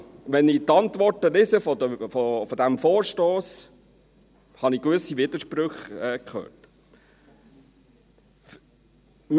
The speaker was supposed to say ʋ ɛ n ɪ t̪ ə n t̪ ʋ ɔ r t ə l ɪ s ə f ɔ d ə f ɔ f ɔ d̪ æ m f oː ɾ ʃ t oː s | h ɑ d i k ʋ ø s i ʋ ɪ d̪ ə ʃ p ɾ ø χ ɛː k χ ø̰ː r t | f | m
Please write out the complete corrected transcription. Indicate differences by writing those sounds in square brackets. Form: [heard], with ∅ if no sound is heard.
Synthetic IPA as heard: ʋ ɛ n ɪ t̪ [ɑ] n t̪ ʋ ɔ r t ə l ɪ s ə f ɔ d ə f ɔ f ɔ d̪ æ m f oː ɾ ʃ t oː s | h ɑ [n] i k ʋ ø s i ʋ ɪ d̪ ə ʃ p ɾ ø χ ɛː k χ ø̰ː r t | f | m